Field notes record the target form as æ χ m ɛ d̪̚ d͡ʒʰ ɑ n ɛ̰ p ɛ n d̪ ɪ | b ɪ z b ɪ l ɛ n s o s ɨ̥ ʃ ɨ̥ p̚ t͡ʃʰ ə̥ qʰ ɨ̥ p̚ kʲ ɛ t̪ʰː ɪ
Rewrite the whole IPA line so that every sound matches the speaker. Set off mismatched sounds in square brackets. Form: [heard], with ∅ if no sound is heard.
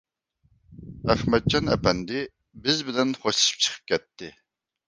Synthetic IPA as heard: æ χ m ɛ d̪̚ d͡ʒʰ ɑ n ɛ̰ p ɛ n d̪ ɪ | b ɪ z b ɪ l ɛ n [χ] o [ʃ] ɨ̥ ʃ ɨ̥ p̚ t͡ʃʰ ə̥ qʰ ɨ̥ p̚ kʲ ɛ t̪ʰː ɪ